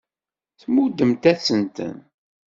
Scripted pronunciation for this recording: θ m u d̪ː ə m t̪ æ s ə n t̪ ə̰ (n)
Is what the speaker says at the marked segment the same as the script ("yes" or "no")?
yes